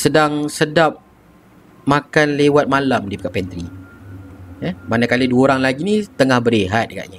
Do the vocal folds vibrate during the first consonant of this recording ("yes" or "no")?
no